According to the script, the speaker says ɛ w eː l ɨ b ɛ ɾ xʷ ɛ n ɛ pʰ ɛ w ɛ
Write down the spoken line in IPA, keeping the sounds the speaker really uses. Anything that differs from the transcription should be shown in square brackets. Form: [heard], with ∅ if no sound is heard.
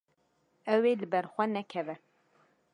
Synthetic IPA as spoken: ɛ w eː l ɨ b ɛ ɾ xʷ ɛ n ɛ [kʰ] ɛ [v] ɛ